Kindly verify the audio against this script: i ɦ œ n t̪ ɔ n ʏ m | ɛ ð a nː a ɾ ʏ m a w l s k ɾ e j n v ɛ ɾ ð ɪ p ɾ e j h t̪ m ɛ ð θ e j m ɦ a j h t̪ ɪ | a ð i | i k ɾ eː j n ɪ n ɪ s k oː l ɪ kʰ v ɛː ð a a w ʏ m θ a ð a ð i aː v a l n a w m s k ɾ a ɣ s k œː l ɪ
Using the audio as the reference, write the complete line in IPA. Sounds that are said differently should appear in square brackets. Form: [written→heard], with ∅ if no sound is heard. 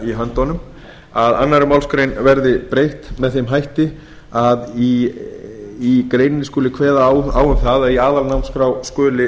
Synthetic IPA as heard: i ɦ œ n t̪ ɔ n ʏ m | [ɛ→a] ð a nː a ɾ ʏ m a w l s k ɾ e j n v ɛ ɾ ð ɪ p ɾ e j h t̪ m ɛ ð θ e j m ɦ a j h t̪ ɪ | a ð i | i k ɾ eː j n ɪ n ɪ s k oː l ɪ kʰ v ɛː ð a a w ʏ m θ a ð a ð i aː [v→ð] a l n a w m s k ɾ a [ɣ→w] s k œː l ɪ